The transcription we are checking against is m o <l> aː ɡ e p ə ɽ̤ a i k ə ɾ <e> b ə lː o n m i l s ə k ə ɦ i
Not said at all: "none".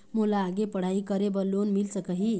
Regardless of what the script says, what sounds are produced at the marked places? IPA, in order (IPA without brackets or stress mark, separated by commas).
l, e